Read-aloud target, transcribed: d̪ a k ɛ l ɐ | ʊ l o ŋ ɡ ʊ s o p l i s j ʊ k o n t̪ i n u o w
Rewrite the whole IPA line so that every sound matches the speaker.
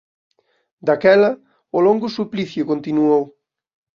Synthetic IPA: d̪ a k ɛ l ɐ | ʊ l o ŋ ɡ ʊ s u p l i θ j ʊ k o n t̪ i n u o w